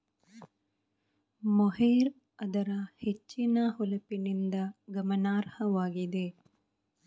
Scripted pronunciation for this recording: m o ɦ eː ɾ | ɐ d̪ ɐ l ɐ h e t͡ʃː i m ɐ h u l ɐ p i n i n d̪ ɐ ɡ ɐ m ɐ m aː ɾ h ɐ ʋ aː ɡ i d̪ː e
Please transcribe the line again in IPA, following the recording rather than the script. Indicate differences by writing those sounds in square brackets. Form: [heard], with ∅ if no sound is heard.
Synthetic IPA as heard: m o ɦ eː ɾ | ɐ d̪ ɐ [ɾ] ɐ h e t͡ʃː i [n] ɐ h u l ɐ p i n i n d̪ ɐ ɡ ɐ m ɐ [n] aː ɾ h ɐ ʋ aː ɡ i [d̪] e